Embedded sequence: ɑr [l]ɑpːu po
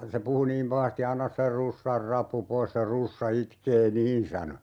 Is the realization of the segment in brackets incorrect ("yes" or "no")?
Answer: yes